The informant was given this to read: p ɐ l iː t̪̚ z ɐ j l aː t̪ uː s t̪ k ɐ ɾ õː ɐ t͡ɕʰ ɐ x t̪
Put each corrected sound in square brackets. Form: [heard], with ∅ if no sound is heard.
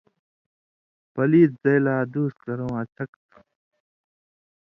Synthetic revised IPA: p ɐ l iː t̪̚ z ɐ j l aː [d̪] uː s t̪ k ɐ ɾ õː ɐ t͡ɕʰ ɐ [k] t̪